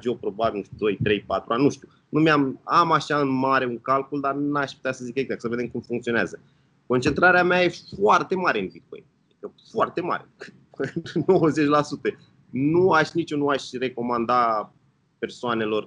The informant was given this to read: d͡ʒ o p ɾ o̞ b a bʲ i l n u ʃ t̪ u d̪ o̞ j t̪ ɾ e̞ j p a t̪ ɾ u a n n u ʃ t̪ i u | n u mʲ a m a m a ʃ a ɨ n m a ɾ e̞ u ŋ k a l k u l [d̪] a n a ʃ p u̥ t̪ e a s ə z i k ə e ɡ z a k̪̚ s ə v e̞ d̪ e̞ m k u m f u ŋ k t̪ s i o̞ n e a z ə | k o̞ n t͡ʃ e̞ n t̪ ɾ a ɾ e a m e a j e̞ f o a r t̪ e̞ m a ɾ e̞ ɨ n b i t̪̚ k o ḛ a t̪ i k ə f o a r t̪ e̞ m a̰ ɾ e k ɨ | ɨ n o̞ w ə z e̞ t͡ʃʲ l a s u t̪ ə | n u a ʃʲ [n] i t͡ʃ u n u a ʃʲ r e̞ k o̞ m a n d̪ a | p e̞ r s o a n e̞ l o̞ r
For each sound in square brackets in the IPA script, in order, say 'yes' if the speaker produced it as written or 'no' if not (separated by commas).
yes, yes